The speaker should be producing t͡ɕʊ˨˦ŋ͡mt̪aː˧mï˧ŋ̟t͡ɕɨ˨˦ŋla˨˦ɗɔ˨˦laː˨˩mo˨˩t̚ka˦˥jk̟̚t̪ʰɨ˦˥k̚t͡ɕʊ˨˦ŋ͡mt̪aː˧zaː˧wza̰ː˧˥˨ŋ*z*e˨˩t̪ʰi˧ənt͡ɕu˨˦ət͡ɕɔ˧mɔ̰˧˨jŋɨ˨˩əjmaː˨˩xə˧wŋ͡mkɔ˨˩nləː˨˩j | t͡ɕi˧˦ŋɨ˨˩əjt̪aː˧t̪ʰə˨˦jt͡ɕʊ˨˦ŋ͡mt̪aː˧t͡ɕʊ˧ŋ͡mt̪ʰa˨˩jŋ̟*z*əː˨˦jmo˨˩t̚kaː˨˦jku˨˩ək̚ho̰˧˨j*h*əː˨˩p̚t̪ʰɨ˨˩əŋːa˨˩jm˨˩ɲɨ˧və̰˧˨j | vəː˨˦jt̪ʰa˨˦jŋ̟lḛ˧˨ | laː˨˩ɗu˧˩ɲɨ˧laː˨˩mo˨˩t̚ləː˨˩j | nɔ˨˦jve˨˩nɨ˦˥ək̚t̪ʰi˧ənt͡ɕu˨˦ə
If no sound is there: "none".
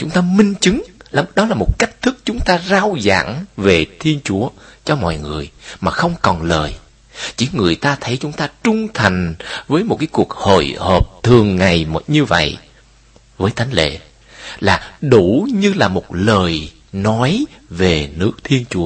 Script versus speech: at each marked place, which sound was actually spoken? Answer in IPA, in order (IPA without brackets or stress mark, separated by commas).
v, v, h